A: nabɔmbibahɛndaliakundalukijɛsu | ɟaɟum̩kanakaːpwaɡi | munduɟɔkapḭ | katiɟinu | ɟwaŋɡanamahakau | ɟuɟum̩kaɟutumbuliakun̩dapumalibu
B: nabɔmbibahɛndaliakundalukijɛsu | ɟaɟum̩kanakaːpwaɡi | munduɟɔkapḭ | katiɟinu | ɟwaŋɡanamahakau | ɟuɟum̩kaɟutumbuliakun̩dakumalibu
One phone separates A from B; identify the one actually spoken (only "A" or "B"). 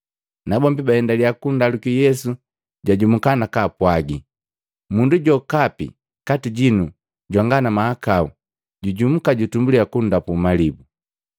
A